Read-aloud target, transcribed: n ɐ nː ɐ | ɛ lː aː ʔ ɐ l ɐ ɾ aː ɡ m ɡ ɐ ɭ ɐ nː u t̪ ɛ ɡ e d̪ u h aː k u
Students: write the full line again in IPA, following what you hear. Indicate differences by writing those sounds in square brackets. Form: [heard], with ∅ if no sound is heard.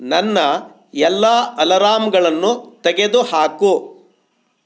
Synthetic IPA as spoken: n ɐ nː ɐ | ɛ lː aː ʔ ɐ l ɐ ɾ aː [∅] m ɡ ɐ ɭ ɐ nː u t̪ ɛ ɡ e d̪ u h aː k u